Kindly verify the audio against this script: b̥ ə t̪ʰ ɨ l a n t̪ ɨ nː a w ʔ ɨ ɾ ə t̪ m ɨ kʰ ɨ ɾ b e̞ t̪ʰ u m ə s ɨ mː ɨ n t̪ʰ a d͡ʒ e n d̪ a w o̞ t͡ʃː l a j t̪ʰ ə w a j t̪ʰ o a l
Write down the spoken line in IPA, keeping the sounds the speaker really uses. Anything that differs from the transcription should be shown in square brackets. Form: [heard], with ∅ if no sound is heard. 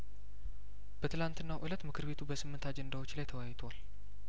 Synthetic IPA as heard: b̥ ə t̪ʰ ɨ l a n t̪ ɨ nː a w ʔ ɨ [l] ə t̪ m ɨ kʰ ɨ ɾ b e̞ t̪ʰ u [b] ə s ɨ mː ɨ n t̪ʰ a d͡ʒ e n d̪ a w o̞ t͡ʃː l a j t̪ʰ ə w a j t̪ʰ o a l

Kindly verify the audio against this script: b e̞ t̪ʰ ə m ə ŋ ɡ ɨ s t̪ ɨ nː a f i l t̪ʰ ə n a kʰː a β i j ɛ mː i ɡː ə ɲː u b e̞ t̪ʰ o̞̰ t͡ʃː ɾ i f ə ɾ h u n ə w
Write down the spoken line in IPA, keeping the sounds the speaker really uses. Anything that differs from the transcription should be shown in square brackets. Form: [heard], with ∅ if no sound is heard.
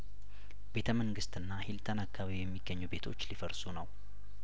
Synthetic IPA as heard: b e̞ t̪ʰ ə m ə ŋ ɡ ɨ s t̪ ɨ nː a [h] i l t̪ʰ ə n a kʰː a β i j ɛ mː i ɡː ə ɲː u b e̞ t̪ʰ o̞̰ t͡ʃː [l] i f ə ɾ [s] u n ə w

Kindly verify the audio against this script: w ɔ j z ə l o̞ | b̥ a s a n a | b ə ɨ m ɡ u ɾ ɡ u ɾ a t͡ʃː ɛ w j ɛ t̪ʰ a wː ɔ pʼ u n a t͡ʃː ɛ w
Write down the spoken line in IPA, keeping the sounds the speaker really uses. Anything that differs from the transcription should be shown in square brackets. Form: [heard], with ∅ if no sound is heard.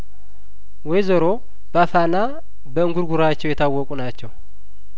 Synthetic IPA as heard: w ɔ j z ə [ɾ] o̞ | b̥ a [f] a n a | b ə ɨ [ŋ] ɡ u ɾ ɡ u ɾ a t͡ʃː ɛ w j ɛ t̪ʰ a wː ɔ [kʼ] u n a t͡ʃː ɛ w

